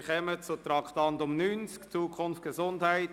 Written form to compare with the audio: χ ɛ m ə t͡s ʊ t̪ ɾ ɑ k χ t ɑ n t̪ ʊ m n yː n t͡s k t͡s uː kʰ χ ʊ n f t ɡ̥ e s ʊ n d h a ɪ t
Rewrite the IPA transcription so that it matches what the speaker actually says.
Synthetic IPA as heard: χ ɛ m ə t͡s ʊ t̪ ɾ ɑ k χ t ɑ n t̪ ʊ m n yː n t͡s k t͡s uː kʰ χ ʊ n f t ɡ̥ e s ʊ n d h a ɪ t